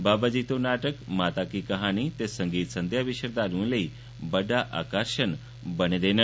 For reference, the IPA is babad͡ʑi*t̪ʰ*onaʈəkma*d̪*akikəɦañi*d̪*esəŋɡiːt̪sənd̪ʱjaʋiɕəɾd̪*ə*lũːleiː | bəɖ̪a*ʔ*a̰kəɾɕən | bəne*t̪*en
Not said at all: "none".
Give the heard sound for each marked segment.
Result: t̪, t̪, t̪, a, ʔ, d̪

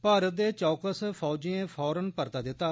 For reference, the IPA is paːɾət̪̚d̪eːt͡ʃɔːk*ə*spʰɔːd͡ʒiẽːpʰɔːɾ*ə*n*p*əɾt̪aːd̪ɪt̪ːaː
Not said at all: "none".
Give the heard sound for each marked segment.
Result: ə, ə, p

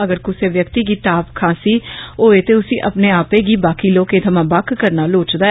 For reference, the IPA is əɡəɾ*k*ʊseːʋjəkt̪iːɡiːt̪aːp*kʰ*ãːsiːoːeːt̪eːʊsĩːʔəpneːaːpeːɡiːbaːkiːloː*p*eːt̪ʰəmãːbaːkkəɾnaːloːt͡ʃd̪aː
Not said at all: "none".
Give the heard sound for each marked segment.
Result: k, kʰ, k

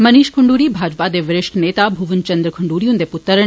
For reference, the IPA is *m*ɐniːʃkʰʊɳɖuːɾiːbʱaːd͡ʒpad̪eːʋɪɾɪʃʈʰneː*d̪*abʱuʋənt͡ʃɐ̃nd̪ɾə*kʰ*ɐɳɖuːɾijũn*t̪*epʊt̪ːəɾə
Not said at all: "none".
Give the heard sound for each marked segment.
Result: m, t̪, kʰ, d̪

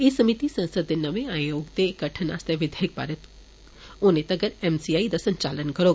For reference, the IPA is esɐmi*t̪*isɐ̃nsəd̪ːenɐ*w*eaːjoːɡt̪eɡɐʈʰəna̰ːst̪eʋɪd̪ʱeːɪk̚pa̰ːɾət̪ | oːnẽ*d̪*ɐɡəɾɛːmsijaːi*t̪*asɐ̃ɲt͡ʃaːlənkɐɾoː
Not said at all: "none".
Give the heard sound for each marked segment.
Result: t̪, ʋ, t̪, d̪

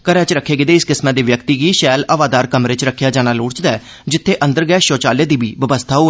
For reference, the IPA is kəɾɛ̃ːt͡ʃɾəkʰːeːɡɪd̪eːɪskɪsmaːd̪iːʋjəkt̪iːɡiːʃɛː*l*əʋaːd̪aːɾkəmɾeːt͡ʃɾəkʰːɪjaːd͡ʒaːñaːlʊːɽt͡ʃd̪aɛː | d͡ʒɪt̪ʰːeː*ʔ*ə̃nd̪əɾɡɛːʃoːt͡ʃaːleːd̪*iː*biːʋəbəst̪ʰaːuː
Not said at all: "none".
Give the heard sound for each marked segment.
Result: l, ʔ, iː

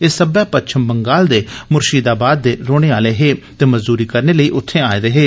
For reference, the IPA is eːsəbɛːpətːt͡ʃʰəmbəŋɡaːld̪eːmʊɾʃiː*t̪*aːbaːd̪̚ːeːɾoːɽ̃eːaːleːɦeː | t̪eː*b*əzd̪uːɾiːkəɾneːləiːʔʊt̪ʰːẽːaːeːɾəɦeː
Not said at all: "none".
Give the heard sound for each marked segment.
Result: d̪, m

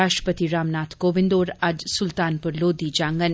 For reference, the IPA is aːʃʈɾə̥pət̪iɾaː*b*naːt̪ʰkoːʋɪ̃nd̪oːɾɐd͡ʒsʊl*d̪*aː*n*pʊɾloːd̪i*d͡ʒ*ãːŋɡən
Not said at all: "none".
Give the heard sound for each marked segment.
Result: m, t̪, n, d͡ʒ

